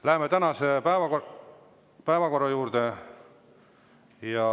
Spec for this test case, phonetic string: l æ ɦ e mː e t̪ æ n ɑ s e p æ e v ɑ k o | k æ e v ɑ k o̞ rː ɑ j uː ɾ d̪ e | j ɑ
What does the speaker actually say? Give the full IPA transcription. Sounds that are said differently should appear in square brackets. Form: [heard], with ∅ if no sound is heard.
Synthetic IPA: l æ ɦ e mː e t̪ æ n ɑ s e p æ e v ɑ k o | [p] æ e v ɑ k o̞ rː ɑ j uː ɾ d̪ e | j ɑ